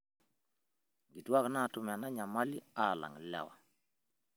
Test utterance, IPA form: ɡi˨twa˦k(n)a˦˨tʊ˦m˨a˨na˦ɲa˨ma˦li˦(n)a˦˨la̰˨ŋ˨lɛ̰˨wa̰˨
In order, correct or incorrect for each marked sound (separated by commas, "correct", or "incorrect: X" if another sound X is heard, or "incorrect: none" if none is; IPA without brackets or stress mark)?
correct, incorrect: none